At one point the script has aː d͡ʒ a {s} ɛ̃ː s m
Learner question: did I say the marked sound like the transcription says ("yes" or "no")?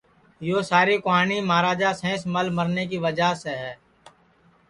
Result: yes